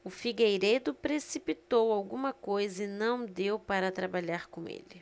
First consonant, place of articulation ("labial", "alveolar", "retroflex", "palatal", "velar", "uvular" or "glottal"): labial